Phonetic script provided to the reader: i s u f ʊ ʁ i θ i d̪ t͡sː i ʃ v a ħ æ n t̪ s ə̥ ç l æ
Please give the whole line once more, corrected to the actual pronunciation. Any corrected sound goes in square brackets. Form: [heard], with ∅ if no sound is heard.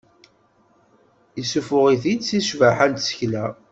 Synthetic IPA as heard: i s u f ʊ ʁ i θ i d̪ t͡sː i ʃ v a ħ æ n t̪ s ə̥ ç l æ